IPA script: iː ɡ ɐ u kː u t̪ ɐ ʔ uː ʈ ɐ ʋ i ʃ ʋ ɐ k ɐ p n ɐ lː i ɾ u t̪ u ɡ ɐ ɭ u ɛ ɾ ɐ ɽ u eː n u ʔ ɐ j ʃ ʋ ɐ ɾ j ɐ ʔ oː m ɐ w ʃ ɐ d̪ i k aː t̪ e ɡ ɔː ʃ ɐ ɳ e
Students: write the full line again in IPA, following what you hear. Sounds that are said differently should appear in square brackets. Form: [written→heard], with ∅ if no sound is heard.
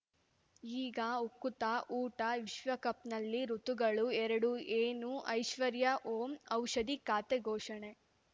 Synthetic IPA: iː ɡ ɐ u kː u t̪ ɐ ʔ uː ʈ ɐ ʋ i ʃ ʋ ɐ k ɐ p n ɐ lː i ɾ u t̪ u ɡ ɐ ɭ u ɛ ɾ ɐ ɽ u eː n u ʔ ɐ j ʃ ʋ ɐ ɾ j ɐ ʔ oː m ɐ w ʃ ɐ d̪ i k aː t̪ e ɡ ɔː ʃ ɐ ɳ e